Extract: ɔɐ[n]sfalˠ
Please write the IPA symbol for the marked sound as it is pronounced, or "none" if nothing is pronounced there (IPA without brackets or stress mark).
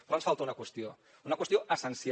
n